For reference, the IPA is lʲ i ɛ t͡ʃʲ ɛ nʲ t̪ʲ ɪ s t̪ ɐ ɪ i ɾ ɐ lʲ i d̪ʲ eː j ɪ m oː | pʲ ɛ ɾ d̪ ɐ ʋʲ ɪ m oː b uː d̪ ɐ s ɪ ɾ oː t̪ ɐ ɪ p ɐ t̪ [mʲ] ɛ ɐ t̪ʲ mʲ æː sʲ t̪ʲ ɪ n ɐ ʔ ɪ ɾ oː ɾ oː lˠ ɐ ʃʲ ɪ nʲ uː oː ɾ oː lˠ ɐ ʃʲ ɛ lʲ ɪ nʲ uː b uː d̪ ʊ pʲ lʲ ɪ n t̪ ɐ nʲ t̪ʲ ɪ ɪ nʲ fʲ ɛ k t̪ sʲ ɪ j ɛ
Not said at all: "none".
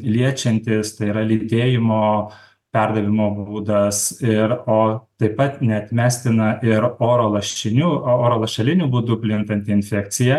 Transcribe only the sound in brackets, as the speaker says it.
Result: nʲ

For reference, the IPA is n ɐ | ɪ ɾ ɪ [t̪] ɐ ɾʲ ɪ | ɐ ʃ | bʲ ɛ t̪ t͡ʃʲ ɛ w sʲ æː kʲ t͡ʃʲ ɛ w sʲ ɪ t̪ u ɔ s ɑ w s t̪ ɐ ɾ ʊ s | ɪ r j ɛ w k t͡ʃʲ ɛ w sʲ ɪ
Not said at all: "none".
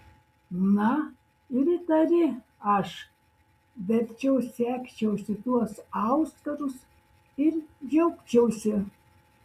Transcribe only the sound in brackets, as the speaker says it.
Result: t̪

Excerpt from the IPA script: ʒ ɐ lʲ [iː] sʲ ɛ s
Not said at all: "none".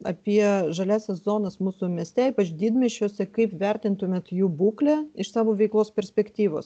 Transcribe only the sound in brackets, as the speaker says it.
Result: æː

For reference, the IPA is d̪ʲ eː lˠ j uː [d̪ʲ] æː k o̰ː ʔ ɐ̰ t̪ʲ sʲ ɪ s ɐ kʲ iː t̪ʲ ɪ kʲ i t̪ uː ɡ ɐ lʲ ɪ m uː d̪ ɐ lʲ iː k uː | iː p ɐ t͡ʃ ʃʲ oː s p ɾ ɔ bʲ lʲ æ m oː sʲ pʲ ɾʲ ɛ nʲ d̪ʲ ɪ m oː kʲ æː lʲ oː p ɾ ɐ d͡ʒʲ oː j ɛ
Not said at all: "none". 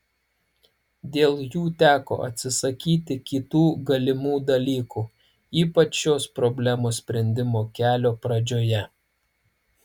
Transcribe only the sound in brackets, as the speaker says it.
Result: t̪ʲ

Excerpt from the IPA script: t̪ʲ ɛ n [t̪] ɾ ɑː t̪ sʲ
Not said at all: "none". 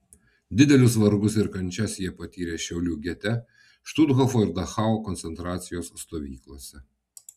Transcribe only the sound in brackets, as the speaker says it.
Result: t̪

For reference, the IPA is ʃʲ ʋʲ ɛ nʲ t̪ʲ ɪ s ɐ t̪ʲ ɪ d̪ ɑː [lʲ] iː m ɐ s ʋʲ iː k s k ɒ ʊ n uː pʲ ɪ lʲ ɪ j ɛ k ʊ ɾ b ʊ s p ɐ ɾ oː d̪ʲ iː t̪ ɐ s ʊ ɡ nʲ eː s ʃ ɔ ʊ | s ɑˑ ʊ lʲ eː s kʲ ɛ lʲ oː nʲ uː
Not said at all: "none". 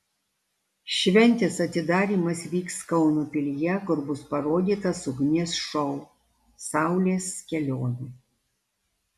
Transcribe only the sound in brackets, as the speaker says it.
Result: ɾʲ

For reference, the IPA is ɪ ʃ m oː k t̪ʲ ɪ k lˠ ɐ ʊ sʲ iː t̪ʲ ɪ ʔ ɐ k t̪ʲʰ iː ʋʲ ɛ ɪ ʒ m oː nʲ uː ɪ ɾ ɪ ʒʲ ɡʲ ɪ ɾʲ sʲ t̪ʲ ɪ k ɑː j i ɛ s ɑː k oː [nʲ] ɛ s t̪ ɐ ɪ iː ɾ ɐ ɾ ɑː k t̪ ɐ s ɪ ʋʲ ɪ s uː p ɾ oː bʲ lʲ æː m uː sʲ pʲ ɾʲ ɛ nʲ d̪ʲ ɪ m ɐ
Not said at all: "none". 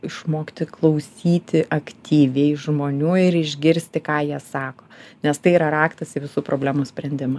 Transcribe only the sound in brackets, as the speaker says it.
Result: nʲ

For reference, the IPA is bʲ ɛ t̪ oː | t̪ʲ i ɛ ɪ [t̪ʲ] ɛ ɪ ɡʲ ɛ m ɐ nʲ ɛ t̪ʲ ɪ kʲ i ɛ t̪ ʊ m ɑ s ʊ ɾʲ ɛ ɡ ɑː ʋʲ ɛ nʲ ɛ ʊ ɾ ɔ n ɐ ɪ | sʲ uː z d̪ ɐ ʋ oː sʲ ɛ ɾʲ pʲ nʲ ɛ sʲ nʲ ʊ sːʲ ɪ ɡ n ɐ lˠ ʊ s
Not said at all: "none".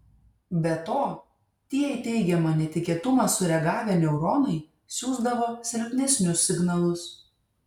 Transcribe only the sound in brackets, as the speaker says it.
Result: t̪ʲ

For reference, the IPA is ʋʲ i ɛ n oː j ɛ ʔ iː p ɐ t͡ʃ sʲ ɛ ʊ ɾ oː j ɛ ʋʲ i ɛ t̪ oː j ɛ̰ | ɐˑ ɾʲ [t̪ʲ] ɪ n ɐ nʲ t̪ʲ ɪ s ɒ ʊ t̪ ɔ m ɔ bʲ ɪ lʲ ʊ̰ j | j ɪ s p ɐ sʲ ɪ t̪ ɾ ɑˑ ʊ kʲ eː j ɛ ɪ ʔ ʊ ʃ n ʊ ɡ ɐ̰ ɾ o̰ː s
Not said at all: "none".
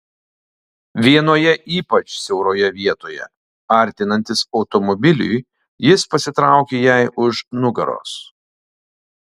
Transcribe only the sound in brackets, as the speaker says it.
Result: t̪ʲ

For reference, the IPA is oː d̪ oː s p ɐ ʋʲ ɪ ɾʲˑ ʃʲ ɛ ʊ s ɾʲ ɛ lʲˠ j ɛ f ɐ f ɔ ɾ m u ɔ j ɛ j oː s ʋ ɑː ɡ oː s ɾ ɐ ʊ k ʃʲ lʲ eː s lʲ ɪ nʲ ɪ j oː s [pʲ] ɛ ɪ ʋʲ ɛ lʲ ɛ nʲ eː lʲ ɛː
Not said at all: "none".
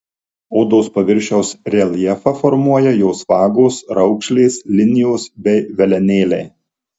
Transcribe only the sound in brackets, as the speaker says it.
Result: bʲ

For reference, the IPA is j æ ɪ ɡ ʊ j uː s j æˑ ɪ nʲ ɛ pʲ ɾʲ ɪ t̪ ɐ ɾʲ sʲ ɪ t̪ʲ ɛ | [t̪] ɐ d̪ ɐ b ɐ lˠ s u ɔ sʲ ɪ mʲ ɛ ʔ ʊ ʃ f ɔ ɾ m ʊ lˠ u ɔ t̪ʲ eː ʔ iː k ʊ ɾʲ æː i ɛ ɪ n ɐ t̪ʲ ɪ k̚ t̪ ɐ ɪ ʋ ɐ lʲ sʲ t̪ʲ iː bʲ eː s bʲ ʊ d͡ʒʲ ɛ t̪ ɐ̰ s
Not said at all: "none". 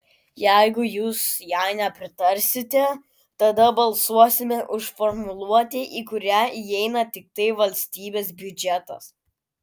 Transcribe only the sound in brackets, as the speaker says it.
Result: t̪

